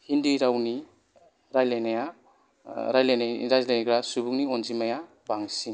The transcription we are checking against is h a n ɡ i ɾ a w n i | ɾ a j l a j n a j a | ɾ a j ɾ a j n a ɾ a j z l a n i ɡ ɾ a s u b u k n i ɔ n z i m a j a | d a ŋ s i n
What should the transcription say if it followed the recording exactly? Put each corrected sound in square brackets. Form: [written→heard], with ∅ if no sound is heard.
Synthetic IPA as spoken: h [a→i] n [ɡ→d] i ɾ a w n i | ɾ a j l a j n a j a | ɾ a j [ɾ→l] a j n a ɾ a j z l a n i ɡ ɾ a s u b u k n i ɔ n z i m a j a | [d→b] a ŋ s i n